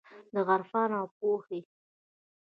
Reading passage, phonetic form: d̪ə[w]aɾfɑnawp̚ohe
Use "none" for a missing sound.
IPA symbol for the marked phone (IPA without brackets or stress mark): ɣ